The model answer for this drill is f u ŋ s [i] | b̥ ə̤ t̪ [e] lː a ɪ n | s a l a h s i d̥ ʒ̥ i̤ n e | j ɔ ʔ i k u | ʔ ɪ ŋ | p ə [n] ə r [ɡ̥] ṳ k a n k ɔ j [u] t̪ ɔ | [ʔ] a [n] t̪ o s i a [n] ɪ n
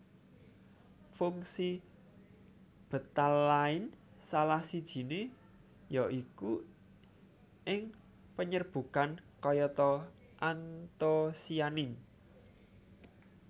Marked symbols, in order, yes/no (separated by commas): yes, no, no, no, no, yes, yes, yes